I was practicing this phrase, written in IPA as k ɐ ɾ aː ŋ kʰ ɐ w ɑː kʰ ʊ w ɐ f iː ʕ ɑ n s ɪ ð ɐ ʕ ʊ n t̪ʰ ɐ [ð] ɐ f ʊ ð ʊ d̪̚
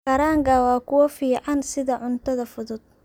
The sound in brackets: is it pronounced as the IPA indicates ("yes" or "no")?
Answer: yes